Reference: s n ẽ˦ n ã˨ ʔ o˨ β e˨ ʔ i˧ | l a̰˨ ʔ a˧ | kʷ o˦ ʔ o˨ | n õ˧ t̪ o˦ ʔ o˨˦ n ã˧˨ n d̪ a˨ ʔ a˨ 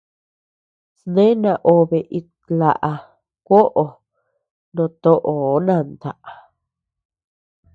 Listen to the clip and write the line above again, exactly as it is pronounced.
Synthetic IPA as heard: s n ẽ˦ n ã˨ ʔ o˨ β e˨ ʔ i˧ | l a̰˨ ʔ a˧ | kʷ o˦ ʔ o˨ | n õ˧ t̪ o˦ ʔ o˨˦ n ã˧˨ n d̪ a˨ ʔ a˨